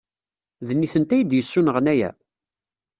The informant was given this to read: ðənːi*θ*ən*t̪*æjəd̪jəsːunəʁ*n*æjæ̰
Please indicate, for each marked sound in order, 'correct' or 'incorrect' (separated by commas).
correct, correct, correct